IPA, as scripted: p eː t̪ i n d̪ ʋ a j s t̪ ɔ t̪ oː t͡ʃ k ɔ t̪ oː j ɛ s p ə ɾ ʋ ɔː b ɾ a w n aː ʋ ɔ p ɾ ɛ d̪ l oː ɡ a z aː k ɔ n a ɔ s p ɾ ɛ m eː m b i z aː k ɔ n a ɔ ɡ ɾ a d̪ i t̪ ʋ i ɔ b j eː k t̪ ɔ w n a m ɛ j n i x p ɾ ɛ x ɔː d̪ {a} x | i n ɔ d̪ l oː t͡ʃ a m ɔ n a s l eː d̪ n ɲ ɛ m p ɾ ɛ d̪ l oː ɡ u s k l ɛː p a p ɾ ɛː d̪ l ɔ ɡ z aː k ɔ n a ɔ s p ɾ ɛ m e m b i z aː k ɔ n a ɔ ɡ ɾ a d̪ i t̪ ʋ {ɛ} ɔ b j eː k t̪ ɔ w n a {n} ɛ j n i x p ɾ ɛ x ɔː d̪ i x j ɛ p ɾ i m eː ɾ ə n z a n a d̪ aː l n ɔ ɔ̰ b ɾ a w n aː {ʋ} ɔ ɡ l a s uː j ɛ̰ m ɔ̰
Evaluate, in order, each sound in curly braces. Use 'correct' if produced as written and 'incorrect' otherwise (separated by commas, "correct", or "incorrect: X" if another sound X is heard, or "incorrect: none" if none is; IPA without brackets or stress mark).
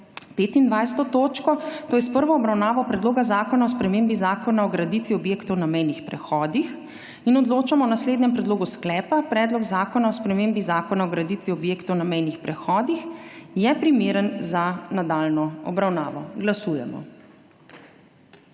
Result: incorrect: i, incorrect: i, incorrect: m, correct